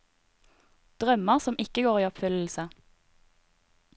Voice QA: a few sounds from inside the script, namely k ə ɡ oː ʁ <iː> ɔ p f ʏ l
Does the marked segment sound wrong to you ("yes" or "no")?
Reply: no